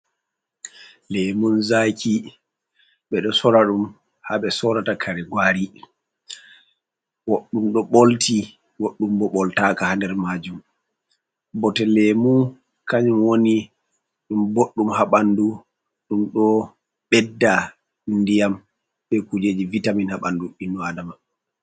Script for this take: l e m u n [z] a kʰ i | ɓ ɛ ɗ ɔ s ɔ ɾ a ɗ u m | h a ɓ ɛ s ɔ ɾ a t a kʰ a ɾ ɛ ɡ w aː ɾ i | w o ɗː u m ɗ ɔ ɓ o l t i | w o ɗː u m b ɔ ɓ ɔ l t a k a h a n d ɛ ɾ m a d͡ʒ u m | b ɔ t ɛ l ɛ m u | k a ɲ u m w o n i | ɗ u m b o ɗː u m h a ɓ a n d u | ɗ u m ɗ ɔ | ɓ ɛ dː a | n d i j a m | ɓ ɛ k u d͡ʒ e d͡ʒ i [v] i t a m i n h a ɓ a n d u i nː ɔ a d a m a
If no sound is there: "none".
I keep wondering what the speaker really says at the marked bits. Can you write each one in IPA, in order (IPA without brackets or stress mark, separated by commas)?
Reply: z, v